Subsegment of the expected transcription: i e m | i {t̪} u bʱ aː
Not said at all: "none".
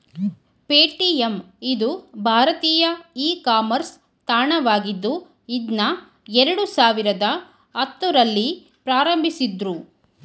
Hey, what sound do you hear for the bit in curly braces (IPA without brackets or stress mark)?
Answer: d̪